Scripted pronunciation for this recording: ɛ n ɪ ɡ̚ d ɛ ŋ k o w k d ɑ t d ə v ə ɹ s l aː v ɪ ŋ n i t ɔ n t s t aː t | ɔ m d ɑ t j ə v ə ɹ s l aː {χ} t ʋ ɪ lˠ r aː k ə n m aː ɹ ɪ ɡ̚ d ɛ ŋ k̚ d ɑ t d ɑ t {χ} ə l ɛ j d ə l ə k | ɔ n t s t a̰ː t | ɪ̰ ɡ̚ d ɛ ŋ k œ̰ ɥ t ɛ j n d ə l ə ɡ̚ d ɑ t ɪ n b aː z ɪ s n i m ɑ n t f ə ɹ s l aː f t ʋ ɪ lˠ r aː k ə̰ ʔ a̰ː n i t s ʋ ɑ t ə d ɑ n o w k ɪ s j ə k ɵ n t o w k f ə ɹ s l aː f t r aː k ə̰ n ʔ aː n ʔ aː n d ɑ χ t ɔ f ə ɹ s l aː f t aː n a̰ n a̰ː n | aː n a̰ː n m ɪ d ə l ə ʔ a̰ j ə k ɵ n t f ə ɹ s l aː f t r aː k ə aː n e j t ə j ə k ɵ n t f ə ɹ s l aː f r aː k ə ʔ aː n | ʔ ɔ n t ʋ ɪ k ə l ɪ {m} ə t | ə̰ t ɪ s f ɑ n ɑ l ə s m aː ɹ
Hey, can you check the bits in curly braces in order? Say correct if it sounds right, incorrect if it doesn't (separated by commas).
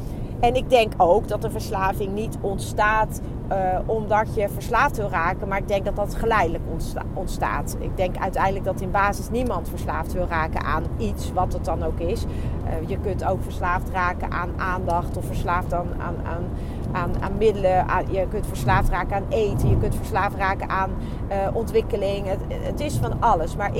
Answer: incorrect, correct, incorrect